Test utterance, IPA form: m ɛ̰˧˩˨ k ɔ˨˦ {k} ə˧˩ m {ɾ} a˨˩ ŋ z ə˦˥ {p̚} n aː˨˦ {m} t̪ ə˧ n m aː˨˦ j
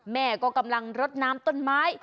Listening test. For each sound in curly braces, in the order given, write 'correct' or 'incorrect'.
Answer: correct, incorrect: l, incorrect: t̚, correct

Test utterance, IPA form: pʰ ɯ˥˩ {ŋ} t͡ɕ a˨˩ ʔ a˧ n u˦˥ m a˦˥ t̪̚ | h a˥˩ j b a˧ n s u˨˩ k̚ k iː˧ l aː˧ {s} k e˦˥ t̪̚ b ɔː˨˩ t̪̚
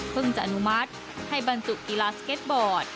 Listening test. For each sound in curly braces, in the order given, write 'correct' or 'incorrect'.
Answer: correct, correct

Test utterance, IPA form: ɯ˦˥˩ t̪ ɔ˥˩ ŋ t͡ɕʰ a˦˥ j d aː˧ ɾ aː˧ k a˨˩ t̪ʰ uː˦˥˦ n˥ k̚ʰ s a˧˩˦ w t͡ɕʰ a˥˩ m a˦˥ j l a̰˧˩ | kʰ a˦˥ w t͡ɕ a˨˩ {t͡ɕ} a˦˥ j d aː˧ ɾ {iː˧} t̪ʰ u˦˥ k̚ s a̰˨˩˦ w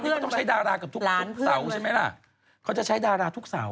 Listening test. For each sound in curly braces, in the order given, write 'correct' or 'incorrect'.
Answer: incorrect: t͡ɕʰ, incorrect: aː˧

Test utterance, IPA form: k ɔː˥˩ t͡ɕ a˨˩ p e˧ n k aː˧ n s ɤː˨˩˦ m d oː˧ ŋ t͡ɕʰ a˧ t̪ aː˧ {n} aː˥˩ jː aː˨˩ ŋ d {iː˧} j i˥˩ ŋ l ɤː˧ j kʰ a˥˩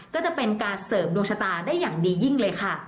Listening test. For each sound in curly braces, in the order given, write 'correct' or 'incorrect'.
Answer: incorrect: d, correct

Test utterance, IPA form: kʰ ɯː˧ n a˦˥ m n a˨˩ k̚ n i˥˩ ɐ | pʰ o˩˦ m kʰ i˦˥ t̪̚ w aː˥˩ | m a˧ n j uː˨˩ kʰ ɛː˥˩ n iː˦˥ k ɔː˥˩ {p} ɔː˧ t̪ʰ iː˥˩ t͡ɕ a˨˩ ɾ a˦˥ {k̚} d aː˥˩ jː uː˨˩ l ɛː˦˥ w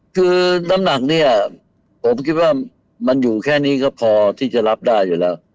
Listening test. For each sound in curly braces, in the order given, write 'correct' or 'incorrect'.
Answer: incorrect: pʰ, incorrect: p̚

